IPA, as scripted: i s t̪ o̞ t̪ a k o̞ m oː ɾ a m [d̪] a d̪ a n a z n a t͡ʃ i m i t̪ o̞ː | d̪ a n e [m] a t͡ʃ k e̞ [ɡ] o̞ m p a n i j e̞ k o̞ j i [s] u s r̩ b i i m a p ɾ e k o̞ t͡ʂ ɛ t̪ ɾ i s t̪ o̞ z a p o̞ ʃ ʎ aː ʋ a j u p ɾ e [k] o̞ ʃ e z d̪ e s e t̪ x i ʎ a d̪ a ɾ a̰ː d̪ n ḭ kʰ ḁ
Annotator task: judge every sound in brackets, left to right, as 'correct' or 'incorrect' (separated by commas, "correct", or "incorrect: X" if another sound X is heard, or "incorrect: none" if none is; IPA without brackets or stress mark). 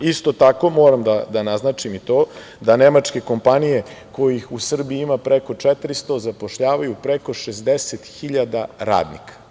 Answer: correct, correct, incorrect: k, incorrect: x, correct